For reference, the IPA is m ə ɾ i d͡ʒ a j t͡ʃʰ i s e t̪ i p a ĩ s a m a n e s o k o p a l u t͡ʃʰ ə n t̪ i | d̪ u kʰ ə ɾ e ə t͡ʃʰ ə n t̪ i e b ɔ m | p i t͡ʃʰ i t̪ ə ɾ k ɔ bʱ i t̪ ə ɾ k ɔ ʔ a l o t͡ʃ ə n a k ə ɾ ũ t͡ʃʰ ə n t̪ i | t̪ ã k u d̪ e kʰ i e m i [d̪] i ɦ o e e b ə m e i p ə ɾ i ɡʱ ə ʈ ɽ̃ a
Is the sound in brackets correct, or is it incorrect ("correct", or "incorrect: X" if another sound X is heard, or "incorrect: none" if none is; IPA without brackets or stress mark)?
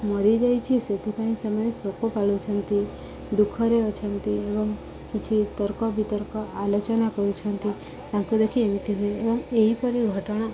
incorrect: t̪